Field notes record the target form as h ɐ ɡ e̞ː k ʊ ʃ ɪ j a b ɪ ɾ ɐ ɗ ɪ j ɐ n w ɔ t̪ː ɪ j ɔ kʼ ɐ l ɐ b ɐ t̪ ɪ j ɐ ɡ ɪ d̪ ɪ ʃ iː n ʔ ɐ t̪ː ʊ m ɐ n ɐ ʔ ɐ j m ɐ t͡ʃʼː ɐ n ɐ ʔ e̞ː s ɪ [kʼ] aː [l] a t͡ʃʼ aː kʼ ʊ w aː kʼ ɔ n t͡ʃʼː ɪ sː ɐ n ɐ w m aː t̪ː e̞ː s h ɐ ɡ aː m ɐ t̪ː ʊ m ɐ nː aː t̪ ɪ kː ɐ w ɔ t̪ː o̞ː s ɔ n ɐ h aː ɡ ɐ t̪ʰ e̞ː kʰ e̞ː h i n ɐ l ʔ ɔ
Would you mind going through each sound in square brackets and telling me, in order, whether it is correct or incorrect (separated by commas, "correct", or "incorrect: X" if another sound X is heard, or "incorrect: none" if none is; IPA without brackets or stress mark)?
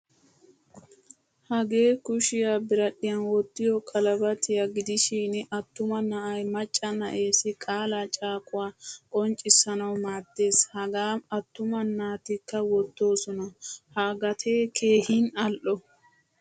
correct, correct